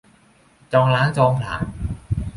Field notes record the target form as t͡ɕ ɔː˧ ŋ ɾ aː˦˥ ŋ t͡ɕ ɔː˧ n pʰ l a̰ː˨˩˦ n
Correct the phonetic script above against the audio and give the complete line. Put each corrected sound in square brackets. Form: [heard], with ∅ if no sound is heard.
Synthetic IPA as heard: t͡ɕ ɔː˧ ŋ [l] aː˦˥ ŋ t͡ɕ ɔː˧ [ŋ] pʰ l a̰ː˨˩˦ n